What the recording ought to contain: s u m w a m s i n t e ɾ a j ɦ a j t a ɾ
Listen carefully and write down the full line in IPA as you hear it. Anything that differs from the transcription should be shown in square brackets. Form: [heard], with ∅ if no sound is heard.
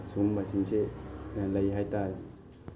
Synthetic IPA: s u m [b] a [∅] s i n [s] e [l] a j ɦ a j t a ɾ